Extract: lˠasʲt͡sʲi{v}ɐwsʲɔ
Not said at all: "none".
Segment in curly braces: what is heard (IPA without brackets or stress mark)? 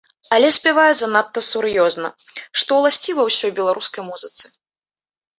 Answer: v